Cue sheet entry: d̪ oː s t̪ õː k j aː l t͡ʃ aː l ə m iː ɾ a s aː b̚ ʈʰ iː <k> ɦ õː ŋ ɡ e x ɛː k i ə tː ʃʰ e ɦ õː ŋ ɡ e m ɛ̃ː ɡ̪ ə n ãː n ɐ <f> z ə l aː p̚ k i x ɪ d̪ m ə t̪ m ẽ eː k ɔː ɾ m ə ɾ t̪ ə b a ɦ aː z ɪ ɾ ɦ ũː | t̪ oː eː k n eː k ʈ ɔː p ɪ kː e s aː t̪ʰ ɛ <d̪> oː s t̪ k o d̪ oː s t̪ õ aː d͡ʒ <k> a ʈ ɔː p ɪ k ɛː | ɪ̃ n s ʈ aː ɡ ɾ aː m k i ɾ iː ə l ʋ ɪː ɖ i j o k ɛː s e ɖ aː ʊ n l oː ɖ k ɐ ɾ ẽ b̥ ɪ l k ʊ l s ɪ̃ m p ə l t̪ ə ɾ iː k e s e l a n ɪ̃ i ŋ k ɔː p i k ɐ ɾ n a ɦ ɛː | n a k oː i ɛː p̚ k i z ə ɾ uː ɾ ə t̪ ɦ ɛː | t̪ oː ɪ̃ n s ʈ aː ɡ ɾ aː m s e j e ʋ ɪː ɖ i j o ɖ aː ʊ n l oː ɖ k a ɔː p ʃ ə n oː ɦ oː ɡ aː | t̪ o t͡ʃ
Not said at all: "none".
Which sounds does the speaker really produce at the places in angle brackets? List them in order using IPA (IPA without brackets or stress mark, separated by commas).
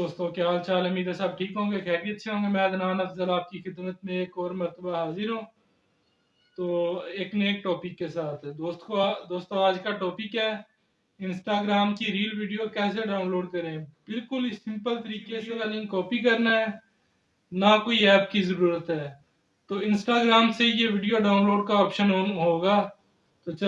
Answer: k, f, d̪, k